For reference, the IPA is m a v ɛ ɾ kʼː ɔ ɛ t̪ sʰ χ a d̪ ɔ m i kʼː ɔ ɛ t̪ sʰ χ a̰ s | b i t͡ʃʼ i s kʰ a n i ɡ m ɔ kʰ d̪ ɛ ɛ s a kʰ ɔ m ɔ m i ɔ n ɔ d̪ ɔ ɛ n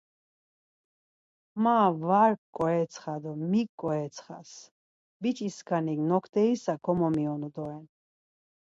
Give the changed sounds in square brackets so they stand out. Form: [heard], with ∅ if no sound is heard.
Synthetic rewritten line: m a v [a] ɾ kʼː ɔ ɛ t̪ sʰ χ a d̪ ɔ m i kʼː ɔ ɛ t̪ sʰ χ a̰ s | b i t͡ʃʼ i s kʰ a n i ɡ [n] ɔ kʰ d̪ ɛ [i] s a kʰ ɔ m ɔ m i ɔ n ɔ d̪ ɔ ɛ n